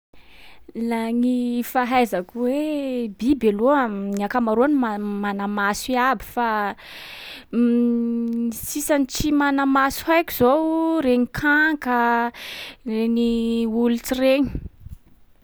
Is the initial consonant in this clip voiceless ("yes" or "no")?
no